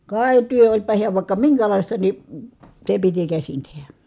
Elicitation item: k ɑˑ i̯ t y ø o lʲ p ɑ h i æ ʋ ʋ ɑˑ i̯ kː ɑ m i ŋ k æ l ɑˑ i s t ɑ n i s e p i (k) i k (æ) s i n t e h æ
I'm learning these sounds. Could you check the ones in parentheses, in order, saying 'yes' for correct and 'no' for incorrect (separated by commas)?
no, yes